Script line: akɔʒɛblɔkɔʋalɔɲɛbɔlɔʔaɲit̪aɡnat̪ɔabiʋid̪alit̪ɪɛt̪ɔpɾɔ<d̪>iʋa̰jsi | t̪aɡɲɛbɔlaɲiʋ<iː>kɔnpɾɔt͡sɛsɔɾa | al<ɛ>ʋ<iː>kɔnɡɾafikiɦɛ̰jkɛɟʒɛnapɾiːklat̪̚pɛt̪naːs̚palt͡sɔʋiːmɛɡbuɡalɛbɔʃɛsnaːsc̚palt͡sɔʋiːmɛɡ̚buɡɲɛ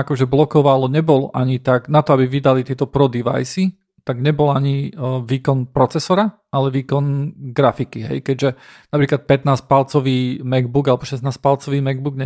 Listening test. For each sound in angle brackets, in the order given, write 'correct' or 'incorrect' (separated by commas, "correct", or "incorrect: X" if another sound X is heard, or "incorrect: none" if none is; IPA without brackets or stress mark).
correct, correct, correct, correct